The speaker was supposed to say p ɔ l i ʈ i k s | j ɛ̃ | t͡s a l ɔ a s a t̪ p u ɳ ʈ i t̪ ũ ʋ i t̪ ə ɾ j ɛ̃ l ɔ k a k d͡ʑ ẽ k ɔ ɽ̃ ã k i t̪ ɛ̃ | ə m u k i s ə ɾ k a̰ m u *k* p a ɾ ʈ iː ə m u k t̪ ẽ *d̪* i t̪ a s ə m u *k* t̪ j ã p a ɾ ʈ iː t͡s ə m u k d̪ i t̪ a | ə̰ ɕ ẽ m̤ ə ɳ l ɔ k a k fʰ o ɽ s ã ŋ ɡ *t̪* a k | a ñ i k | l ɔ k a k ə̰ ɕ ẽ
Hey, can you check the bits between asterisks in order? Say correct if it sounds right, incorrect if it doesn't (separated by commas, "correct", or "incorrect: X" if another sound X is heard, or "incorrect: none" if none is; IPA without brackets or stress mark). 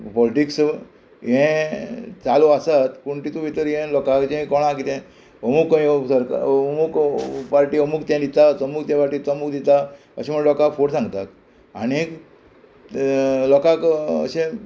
correct, correct, correct, correct